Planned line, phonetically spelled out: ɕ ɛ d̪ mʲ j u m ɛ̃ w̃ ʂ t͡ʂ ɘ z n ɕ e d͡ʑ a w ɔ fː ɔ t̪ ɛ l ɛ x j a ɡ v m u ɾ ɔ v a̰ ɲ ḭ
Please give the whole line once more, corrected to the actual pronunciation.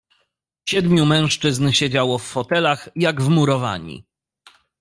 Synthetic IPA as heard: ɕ ɛ d̪ mʲ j u m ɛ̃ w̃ ʂ t͡ʂ ɘ z n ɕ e d͡ʑ a w ɔ fː ɔ t̪ ɛ l a x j a ɡ v m u ɾ ɔ v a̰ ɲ ḭ